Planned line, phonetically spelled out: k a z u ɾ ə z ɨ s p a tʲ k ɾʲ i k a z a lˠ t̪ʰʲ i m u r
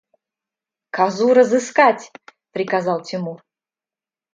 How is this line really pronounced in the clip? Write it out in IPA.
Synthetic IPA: k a z u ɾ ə z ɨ s k a tʲ p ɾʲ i k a z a lˠ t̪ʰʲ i m u r